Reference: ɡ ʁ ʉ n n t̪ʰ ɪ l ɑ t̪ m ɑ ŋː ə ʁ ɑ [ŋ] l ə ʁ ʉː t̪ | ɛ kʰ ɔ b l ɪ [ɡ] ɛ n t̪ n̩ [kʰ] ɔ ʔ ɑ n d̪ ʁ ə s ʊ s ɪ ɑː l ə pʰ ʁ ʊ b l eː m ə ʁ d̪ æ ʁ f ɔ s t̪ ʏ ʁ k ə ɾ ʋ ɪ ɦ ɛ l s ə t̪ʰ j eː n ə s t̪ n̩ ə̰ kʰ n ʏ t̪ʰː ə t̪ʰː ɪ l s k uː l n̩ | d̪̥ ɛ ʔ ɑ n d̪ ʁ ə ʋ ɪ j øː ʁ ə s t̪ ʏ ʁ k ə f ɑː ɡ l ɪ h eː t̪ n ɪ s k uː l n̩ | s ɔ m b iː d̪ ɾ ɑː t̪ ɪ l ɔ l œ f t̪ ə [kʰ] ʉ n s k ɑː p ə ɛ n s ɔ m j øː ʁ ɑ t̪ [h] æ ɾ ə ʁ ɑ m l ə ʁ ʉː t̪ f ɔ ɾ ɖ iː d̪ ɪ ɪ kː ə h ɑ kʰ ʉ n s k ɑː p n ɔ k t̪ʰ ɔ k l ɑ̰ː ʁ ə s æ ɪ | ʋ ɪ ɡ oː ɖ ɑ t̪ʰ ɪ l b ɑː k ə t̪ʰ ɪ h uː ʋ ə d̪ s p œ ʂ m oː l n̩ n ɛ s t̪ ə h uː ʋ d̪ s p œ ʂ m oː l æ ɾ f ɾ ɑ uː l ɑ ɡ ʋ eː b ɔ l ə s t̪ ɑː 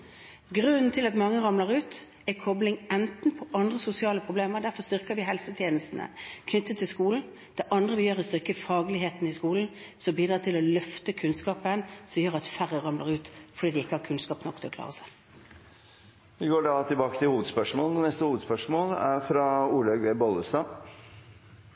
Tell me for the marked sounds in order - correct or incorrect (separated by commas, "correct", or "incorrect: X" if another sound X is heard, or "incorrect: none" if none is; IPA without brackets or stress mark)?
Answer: incorrect: m, incorrect: ŋ, incorrect: pʰ, correct, incorrect: f